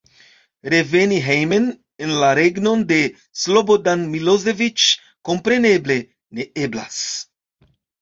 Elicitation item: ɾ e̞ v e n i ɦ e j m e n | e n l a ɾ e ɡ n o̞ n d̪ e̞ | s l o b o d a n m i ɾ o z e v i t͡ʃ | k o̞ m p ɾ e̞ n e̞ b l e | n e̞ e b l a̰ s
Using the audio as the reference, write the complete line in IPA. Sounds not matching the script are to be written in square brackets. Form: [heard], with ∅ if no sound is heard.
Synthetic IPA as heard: ɾ e̞ v e n i ɦ e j m e n | e n l a ɾ e ɡ n o̞ n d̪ e̞ | s l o b o d a n m i [l] o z e v i t͡ʃ | k o̞ m p ɾ e̞ n e̞ b l e | n e̞ e b l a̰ s